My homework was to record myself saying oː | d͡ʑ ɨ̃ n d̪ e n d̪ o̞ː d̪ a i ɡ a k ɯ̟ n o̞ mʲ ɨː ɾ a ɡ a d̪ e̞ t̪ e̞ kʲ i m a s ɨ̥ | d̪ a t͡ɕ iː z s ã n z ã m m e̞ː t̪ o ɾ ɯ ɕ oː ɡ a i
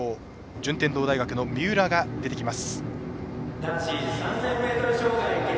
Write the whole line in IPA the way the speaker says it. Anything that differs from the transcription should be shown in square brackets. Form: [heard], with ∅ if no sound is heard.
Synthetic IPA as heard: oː | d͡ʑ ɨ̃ n [t̪] e n d̪ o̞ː d̪ a i ɡ a k ɯ̟ n o̞ mʲ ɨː ɾ a ɡ a d̪ e̞ t̪ e̞ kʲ i m a s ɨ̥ | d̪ a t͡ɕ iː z s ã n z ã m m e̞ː t̪ o ɾ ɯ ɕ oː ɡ a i